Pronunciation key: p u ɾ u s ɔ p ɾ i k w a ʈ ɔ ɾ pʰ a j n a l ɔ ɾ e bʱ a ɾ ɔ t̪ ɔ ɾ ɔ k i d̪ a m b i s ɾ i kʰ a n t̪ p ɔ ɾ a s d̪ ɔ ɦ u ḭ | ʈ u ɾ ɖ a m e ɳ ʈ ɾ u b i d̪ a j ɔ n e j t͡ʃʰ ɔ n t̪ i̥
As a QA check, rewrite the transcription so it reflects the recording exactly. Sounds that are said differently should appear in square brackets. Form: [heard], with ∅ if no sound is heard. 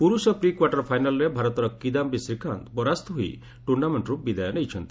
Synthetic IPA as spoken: p u ɾ u s ɔ p ɾ i k w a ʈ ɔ ɾ pʰ a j n a l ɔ ɾ e bʱ a ɾ ɔ t̪ ɔ ɾ ɔ k i d̪ a m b i s ɾ i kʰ a n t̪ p ɔ ɾ a s [t̪] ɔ ɦ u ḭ | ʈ u ɾ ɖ a m e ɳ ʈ ɾ u b i d̪ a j ɔ n e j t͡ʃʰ ɔ n t̪ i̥